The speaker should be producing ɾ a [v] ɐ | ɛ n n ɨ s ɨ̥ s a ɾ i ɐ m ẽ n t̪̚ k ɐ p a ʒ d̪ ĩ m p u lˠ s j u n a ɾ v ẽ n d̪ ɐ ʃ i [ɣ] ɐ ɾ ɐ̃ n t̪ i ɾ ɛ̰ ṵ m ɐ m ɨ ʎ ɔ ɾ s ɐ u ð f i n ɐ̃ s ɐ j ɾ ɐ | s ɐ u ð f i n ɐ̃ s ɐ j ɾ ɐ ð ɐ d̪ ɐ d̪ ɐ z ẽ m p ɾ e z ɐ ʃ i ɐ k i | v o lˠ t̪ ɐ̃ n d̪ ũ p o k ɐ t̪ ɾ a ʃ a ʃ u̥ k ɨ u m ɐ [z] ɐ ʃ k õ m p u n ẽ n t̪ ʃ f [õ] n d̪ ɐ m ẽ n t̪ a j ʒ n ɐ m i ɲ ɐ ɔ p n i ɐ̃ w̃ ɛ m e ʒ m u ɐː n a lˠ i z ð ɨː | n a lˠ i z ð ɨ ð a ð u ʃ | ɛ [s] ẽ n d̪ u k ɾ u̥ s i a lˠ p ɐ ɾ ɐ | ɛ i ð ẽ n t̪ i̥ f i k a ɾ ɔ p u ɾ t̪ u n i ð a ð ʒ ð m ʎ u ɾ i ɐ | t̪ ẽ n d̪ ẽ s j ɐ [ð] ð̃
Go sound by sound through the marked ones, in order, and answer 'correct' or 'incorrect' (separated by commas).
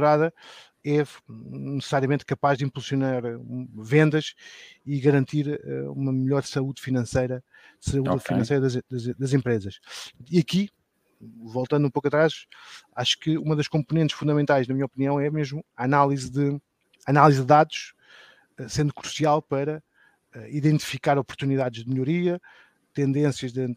incorrect, correct, incorrect, incorrect, correct, incorrect